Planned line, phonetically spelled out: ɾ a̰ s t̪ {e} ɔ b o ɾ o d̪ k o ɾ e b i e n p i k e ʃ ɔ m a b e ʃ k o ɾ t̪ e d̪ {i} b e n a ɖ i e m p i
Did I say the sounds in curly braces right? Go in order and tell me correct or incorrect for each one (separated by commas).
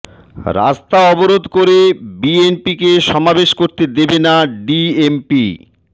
incorrect, incorrect